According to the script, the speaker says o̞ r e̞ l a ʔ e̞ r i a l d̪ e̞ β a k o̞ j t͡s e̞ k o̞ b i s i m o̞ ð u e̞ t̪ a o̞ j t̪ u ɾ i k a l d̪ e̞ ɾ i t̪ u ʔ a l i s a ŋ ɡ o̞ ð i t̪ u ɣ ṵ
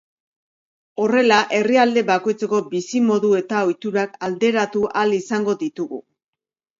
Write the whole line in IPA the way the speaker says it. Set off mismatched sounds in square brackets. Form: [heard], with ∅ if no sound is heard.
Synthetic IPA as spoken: o̞ r e̞ l a ʔ e̞ r i a l d̪ e̞ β a k o̞ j t͡s e̞ k o̞ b i s i m o̞ ð u e̞ t̪ a o̞ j t̪ u ɾ [a] k a l d̪ e̞ ɾ [a] t̪ u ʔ a l i s a ŋ ɡ o̞ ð i t̪ u ɣ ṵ